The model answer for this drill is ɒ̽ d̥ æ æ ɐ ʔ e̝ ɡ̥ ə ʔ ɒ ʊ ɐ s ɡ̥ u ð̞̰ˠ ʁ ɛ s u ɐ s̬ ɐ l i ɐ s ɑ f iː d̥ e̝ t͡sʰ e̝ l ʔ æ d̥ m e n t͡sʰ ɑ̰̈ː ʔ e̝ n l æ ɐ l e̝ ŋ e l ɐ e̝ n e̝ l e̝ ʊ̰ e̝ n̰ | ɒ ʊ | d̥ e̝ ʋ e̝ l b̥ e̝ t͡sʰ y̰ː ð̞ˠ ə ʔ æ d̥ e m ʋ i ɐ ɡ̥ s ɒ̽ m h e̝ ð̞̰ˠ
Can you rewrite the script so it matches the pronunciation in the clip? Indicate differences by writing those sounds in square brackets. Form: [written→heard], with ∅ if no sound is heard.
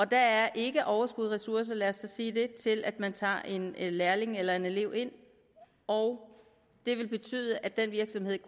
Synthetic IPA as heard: ɒ̽ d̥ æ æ ɐ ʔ e̝ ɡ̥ ə ʔ ɒ ʊ ɐ s ɡ̥ u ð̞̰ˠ ʁ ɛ s u ɐ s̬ ɐ l [i→æ] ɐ s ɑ [f→s] iː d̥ e̝ t͡sʰ e̝ l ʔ æ d̥ m [e→æ] n t͡sʰ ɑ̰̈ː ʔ e̝ n l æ ɐ l e̝ ŋ e l ɐ e̝ n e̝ l e̝ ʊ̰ e̝ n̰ | ɒ ʊ | d̥ e̝ ʋ e̝ l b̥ e̝ t͡sʰ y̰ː ð̞ˠ ə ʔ æ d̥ e [m→n] ʋ i ɐ ɡ̥ s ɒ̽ m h e̝ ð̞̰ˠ

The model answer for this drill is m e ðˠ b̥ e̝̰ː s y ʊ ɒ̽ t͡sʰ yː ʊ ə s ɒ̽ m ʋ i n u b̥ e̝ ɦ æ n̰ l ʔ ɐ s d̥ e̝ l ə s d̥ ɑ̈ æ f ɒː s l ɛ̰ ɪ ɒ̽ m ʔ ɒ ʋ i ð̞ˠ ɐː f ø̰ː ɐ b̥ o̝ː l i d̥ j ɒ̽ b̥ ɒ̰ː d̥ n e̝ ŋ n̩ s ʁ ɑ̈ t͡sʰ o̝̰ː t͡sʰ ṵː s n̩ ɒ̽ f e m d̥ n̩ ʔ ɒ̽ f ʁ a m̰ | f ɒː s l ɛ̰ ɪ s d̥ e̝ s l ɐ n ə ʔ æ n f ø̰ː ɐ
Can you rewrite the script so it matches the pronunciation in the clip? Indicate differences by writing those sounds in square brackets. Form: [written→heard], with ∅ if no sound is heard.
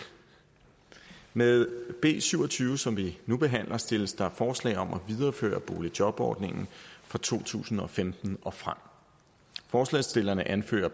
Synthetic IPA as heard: m e ðˠ b̥ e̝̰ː s y ʊ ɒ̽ t͡sʰ yː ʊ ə s ɒ̽ m ʋ i n u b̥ e̝ ɦ æ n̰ l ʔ ɐ s d̥ e̝ l ə s d̥ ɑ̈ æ f ɒː s l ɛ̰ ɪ ɒ̽ m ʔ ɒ ʋ i ð̞ˠ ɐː f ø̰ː ɐ b̥ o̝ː l i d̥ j ɒ̽ b̥ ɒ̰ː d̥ n e̝ ŋ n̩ [s→f] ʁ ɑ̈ t͡sʰ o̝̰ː t͡sʰ ṵː s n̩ ɒ̽ f e m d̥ n̩ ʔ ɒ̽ f ʁ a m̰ | f ɒː s l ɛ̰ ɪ s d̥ e̝ [s→∅] l ɐ n ə ʔ æ n f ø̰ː ɐ

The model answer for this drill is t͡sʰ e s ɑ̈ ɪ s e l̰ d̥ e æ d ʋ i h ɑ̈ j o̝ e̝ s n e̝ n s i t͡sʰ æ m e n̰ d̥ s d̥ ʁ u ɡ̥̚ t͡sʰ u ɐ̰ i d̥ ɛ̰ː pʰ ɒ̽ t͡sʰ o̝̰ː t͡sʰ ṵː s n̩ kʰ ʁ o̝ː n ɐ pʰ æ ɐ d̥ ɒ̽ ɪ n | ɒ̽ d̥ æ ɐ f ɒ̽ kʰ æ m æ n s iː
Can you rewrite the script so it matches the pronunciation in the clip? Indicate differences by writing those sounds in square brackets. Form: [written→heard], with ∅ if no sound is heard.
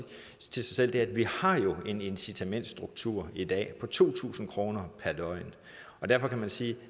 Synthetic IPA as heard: t͡sʰ e s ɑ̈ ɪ s e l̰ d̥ e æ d ʋ i h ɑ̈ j o̝ e̝ [s→∅] n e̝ n s i t͡sʰ æ m e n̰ d̥ s d̥ ʁ u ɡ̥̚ t͡sʰ u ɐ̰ i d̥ ɛ̰ː pʰ ɒ̽ t͡sʰ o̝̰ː t͡sʰ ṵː s n̩ kʰ ʁ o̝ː n ɐ pʰ æ ɐ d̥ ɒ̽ ɪ n | ɒ̽ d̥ æ ɐ f ɒ̽ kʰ æ m æ n s iː

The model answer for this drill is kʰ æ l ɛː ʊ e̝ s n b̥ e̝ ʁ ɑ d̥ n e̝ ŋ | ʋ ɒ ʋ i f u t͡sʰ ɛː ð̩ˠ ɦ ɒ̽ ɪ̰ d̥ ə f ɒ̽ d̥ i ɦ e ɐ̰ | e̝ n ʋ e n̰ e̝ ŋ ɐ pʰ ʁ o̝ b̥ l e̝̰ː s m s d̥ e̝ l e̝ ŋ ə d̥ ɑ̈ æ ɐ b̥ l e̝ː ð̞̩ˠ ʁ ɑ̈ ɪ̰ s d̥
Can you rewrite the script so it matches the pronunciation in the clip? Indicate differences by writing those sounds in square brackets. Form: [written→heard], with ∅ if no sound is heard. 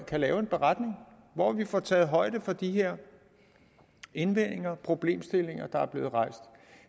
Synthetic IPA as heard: kʰ æ l ɛː ʊ e̝ [s→∅] n b̥ e̝ ʁ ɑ d̥ n e̝ ŋ | ʋ ɒ ʋ i f [u→ɒ] t͡sʰ ɛː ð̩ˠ ɦ ɒ̽ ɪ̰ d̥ ə f ɒ̽ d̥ i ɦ e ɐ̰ | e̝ n ʋ e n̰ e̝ ŋ ɐ pʰ ʁ o̝ b̥ l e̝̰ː [s→∅] m s d̥ e̝ l e̝ ŋ [ə→ɐ] d̥ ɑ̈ æ ɐ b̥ l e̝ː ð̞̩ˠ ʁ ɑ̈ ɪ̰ s d̥

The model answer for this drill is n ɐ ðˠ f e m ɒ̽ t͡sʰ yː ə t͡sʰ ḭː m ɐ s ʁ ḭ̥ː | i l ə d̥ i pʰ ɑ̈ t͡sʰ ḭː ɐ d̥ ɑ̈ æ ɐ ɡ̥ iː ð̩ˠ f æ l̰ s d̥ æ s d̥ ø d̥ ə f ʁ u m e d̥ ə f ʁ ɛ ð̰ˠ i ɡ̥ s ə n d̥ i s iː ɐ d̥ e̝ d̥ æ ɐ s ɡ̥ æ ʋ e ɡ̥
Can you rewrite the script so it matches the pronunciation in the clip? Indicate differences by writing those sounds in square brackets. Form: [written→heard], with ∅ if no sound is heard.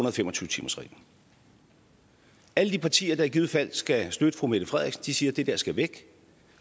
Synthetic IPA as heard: n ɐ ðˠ f e m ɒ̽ t͡sʰ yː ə t͡sʰ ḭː m ɐ s ʁ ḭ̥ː | [i→æ] l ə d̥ i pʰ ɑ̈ t͡sʰ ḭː ɐ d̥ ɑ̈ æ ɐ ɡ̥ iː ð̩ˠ f æ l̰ s [d̥→ɡ̥] æ s d̥ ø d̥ ə f ʁ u m e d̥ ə f ʁ ɛ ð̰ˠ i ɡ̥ s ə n d̥ i s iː ɐ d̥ e̝ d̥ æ ɐ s ɡ̥ æ ʋ e ɡ̥

